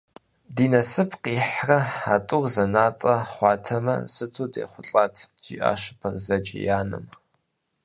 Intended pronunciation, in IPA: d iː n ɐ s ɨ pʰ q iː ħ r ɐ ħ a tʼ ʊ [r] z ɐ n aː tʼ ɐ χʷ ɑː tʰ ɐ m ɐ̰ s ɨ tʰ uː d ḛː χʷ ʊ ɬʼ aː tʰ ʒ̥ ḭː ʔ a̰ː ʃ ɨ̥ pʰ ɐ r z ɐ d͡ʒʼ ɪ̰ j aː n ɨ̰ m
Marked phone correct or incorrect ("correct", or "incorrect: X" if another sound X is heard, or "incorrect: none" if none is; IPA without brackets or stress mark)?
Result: correct